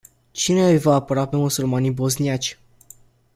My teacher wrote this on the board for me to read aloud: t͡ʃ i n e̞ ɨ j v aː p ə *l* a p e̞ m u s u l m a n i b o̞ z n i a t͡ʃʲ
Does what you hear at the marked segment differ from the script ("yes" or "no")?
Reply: yes